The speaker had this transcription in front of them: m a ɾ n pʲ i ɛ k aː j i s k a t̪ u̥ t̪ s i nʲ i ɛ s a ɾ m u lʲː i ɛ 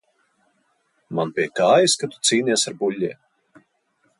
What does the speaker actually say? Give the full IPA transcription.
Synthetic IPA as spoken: m a n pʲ i ɛ k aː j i s k a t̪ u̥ t̪ s iː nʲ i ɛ s a ɾ b u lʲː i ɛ